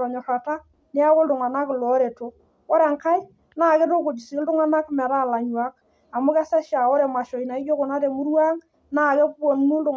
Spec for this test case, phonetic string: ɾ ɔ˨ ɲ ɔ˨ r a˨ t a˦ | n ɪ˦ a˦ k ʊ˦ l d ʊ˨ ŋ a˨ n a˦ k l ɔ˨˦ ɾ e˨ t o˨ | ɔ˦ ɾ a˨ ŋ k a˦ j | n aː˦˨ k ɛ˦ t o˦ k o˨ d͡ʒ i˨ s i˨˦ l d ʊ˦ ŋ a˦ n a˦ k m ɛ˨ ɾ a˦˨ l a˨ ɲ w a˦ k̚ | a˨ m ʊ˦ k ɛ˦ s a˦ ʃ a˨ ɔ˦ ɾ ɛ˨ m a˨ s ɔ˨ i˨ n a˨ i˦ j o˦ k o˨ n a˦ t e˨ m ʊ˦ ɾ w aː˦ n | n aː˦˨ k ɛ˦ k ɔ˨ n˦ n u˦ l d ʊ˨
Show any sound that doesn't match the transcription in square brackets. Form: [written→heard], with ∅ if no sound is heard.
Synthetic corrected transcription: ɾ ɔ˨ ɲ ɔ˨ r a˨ t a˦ | n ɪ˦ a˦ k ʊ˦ l d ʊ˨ ŋ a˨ n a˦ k l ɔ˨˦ ɾ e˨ t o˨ | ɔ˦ ɾ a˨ ŋ k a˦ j | n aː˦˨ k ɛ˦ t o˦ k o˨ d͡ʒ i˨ s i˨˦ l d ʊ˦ ŋ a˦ n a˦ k m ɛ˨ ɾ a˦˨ l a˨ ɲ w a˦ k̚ | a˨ m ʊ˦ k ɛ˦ s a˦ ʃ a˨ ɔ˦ ɾ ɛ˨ m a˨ [s→ʃ] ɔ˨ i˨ n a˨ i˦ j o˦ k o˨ n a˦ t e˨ m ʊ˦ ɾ w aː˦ [n→ŋ] | n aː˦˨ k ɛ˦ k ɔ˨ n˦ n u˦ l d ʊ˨